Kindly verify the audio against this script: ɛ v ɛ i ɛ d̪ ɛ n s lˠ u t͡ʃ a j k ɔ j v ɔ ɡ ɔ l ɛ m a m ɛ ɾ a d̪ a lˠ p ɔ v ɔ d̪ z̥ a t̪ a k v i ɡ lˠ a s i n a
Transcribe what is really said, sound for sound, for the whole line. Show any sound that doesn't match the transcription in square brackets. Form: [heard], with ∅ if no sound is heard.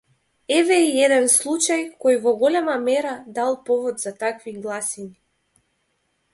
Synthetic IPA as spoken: ɛ v ɛ i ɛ d̪ ɛ n s lˠ u t͡ʃ a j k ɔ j v ɔ ɡ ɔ l ɛ m a m ɛ ɾ a d̪ a lˠ p ɔ v ɔ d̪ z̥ a t̪ a k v i ɡ lˠ a s i n [i]